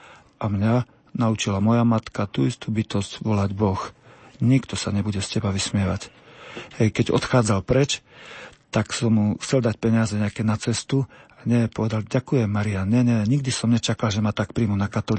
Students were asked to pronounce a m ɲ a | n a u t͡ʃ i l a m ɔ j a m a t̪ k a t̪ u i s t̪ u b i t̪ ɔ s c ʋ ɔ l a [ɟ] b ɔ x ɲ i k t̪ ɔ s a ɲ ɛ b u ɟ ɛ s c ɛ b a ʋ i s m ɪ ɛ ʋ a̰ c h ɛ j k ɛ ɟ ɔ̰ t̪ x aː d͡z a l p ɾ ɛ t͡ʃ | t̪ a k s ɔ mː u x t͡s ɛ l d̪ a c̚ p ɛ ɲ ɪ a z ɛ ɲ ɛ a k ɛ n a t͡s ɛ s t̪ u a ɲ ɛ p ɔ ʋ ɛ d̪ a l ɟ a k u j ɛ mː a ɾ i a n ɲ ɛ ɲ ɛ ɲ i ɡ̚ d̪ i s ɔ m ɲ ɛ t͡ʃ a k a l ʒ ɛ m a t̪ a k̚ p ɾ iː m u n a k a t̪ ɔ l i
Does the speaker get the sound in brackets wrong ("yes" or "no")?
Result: no